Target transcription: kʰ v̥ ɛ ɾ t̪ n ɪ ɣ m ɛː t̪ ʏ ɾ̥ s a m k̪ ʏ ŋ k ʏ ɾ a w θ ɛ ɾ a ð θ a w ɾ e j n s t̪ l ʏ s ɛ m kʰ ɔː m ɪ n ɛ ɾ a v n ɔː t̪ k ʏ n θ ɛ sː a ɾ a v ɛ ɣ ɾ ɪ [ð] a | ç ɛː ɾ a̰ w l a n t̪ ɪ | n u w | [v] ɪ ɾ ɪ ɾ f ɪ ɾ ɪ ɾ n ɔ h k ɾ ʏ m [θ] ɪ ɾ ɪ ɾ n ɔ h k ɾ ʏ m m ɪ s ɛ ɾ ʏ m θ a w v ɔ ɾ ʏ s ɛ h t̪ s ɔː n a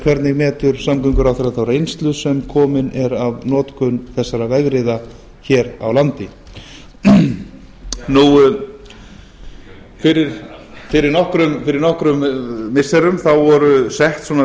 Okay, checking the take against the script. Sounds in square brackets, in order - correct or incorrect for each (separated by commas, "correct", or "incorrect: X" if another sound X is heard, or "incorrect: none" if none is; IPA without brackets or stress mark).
correct, incorrect: f, incorrect: f